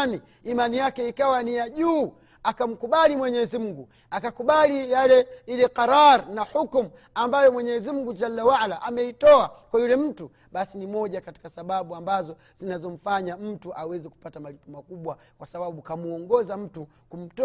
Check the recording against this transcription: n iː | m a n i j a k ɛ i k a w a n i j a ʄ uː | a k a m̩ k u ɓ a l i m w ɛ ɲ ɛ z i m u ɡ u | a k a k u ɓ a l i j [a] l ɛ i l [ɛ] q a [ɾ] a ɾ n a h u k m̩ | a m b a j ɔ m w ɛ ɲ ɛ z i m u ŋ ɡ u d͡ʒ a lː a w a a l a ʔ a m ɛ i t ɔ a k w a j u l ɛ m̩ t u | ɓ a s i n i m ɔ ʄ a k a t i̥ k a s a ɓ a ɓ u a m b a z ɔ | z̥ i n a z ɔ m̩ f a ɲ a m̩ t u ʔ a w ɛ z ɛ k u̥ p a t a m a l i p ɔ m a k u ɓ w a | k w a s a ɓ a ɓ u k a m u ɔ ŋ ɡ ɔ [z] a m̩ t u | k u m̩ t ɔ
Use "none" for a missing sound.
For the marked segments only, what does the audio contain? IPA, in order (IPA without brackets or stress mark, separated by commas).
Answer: a, ɛ, ɾ, z